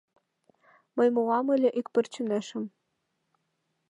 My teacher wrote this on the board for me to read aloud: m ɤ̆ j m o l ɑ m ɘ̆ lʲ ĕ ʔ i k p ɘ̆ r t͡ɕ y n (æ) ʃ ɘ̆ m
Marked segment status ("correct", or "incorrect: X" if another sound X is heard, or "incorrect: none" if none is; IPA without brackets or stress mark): correct